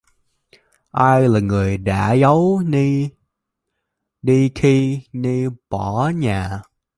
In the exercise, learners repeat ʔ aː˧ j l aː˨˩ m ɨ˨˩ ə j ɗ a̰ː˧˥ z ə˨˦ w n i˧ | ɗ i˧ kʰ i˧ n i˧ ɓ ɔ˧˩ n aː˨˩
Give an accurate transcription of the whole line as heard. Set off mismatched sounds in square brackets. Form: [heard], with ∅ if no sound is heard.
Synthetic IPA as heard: ʔ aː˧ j l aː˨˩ [ŋ] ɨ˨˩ ə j ɗ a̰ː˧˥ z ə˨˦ w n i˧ | ɗ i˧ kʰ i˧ n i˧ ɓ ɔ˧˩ [ɲ] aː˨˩